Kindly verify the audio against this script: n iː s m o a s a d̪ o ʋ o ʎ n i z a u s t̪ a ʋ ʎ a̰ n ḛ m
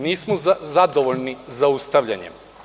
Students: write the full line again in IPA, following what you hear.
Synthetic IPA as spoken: n iː s m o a z a d̪ o ʋ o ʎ n i z a u s t̪ a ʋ ʎ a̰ ɲ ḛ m